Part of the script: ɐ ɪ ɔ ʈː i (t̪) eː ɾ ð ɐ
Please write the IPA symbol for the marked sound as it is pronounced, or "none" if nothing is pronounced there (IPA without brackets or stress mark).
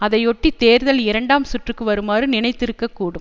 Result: t̪